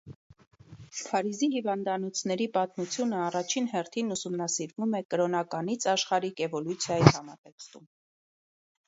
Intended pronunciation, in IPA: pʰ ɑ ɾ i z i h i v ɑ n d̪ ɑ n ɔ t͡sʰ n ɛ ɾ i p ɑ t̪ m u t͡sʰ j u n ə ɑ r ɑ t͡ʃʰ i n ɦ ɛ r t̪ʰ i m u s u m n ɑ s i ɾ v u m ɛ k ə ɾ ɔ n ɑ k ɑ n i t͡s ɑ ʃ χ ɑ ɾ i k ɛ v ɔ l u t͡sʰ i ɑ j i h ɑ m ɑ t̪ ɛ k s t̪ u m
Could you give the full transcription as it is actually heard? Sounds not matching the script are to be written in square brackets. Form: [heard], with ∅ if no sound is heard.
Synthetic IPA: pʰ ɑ ɾ i z i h i v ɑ n d̪ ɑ n ɔ t͡sʰ n ɛ ɾ i p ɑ t̪ m u t͡sʰ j u n ə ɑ r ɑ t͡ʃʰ i n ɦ ɛ r t̪ʰ i [n] u s u m n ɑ s i ɾ v u m ɛ k ə ɾ ɔ n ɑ k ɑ n i [t͡sʰ] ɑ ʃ χ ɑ ɾ i k ɛ v ɔ l u t͡sʰ [j] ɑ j i h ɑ m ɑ t̪ ɛ k s t̪ u m

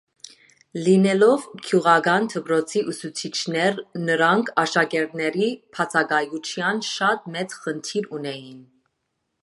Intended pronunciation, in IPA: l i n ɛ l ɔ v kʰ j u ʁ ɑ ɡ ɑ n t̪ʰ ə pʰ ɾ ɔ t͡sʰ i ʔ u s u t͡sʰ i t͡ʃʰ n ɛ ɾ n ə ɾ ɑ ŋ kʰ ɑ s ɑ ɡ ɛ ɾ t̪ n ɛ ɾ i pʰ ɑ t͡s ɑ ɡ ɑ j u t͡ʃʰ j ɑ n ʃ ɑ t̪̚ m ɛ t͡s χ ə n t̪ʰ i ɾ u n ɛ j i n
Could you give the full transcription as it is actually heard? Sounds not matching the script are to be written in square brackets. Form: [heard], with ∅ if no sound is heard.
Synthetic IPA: l i n ɛ l ɔ v kʰ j u ʁ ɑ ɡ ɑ n t̪ʰ ə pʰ ɾ ɔ t͡sʰ i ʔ u s u t͡sʰ i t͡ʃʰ n ɛ ɾ n ə ɾ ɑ ŋ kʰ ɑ [ʃ] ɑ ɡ ɛ ɾ t̪ n ɛ ɾ i pʰ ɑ [t͡sʰ] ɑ ɡ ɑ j u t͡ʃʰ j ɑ n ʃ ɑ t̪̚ m ɛ t͡s χ ə n t̪ʰ i ɾ u n ɛ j i n

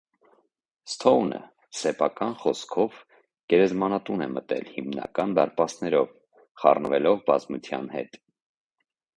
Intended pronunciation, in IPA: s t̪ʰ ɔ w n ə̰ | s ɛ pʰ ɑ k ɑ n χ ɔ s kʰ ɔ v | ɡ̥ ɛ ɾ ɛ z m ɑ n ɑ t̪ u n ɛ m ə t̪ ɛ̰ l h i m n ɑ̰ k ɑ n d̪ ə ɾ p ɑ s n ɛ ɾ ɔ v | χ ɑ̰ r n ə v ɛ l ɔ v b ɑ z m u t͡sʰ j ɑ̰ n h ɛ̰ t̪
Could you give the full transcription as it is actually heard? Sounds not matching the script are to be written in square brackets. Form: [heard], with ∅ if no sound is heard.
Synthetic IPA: s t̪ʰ ɔ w n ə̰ | s ɛ pʰ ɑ k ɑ n χ ɔ s kʰ ɔ v | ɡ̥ ɛ ɾ ɛ z m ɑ n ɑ t̪ u n ɛ m ə t̪ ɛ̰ l h i m n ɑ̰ k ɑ n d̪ [ɑ] ɾ p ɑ s n ɛ ɾ ɔ v | χ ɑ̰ r n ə v ɛ l ɔ v b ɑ z m u t͡sʰ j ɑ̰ n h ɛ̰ t̪

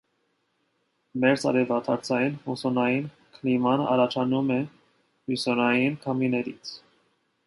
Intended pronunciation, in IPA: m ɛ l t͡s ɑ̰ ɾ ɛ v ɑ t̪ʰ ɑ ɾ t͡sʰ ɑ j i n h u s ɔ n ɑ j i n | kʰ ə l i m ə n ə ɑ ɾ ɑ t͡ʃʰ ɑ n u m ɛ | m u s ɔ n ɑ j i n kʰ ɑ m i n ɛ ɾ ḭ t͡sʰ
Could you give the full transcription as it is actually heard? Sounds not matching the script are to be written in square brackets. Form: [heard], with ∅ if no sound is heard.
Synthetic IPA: m ɛ [ɾ] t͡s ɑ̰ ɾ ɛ v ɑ t̪ʰ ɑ ɾ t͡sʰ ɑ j i n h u s ɔ n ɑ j i n | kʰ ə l i m [ɑ] n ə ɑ ɾ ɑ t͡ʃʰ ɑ n u m ɛ | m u s ɔ n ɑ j i n kʰ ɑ m i n ɛ ɾ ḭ t͡sʰ

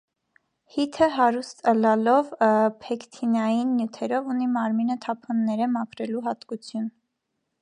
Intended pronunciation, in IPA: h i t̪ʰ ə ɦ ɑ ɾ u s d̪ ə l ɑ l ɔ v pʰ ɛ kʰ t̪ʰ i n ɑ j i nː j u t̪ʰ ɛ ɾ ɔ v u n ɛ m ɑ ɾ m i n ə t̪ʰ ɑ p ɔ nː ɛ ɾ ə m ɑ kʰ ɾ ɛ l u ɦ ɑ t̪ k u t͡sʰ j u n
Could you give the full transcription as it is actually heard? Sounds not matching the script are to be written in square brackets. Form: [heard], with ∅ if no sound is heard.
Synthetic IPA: h i t̪ʰ ə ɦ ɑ ɾ u s [t̪] ə l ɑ l ɔ v pʰ ɛ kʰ t̪ʰ i n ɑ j i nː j u t̪ʰ ɛ ɾ ɔ v u n [i] m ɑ ɾ m i n ə t̪ʰ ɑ [pʰ] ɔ nː ɛ ɾ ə m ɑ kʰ ɾ ɛ l u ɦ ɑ t̪ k u t͡sʰ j u n

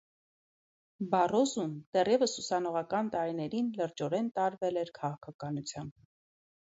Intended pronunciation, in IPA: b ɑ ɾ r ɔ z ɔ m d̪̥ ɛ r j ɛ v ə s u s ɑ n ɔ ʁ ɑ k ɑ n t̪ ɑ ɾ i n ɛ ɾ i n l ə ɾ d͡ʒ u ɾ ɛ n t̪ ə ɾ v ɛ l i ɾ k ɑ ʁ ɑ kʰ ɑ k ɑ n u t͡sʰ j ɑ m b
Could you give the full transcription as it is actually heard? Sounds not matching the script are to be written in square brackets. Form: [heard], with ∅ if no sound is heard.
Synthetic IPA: b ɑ [∅] r ɔ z [u] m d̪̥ ɛ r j ɛ v ə s u s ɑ n ɔ ʁ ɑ k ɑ n t̪ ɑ ɾ i n ɛ ɾ i n l ə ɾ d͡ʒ [ɔ] ɾ ɛ n t̪ [ɑ] ɾ v ɛ l [ɛ] ɾ [kʰ] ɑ ʁ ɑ kʰ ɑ k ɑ n u t͡sʰ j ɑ m b

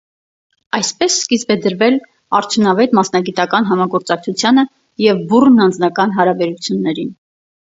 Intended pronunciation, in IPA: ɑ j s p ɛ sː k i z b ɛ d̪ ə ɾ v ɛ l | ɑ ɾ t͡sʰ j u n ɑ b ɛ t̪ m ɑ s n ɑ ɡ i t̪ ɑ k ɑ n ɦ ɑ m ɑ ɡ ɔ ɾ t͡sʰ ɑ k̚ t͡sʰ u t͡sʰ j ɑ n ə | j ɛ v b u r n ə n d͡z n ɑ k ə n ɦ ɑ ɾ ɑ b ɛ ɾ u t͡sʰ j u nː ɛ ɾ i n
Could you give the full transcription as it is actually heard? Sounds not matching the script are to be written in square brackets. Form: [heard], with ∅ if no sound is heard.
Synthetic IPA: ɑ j s p ɛ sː k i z b ɛ d̪ ə ɾ v ɛ l | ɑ ɾ t͡sʰ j u n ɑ [v] ɛ t̪ m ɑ s n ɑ ɡ i t̪ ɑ k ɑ n ɦ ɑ m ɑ ɡ ɔ ɾ [t͡s] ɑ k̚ t͡sʰ u t͡sʰ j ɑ n ə | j ɛ v b u r n [ɑ] n d͡z n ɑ k [ɑ] n ɦ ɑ ɾ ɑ b ɛ ɾ u t͡sʰ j u nː ɛ ɾ i n

